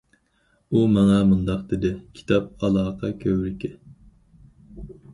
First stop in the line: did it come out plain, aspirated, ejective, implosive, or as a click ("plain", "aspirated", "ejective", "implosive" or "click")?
plain